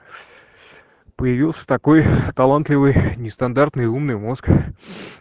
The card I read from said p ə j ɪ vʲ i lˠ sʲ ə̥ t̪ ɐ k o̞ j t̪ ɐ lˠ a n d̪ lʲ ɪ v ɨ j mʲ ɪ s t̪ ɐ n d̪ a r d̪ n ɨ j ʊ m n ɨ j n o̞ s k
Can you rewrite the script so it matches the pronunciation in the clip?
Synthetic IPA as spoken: p ə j ɪ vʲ i lˠ sʲ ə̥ t̪ ɐ k o̞ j t̪ ɐ lˠ a n t̪ lʲ ɪ v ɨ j nʲ ɪ s t̪ ɐ n d̪ a r t̪ n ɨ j u m n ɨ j m o̞ s k